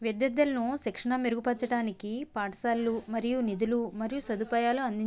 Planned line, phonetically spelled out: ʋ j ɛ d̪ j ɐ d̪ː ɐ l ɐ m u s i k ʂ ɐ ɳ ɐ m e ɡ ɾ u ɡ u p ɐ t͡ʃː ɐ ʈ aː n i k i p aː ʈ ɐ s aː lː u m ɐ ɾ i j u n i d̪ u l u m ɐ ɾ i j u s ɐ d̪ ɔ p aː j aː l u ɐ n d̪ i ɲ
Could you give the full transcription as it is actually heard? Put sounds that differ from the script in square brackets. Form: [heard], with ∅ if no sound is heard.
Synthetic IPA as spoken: ʋ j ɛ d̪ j ɐ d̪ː ɐ l ɐ [n] u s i k ʂ ɐ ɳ ɐ m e [∅] ɾ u ɡ u p ɐ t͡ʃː ɐ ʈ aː n i k i p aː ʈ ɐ s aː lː u m ɐ ɾ i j u n i d̪ u l u m ɐ ɾ i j u s ɐ d̪ [u] p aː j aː l u ɐ n d̪ i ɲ